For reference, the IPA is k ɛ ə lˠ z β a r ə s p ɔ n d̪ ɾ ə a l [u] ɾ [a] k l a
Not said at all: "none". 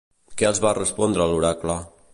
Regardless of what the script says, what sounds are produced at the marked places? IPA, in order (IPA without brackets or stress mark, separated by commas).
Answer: u, a